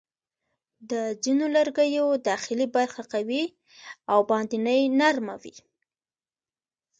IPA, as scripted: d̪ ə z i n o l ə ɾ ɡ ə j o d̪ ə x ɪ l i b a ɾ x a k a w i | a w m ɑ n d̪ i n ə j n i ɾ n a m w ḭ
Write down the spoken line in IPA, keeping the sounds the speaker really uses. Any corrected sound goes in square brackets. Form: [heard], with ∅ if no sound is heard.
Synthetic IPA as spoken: d̪ ə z i n o l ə ɾ ɡ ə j o d̪ [ɑ] x ɪ l i b a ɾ x a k a w i | a w [b] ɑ n d̪ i n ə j n [a] ɾ [m] a [∅] w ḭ